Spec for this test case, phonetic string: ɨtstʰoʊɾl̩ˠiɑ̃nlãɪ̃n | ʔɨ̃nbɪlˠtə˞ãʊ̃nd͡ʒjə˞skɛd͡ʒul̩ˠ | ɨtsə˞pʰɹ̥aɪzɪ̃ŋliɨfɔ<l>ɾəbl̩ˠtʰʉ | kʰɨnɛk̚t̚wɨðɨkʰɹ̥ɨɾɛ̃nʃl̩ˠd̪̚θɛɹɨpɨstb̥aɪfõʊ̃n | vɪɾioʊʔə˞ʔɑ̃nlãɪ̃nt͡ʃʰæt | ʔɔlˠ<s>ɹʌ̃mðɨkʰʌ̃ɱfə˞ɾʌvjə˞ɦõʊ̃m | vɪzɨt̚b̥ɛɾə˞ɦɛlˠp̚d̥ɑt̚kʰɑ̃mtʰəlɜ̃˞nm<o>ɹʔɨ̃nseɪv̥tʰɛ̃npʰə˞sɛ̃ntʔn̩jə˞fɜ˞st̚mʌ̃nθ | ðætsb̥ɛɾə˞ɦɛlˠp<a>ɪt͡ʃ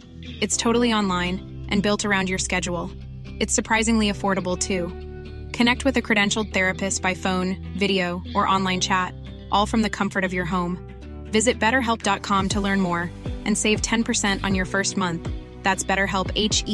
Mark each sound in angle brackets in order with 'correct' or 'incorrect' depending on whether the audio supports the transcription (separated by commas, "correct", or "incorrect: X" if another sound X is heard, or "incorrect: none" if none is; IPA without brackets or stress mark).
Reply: incorrect: ɹ, incorrect: f, incorrect: ɔ, incorrect: e